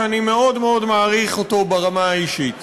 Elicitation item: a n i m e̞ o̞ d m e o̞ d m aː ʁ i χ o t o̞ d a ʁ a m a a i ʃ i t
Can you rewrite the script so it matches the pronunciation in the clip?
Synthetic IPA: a n i m e̞ o̞ d m e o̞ d m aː ʁ i χ o t o̞ b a ʁ a m a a i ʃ i t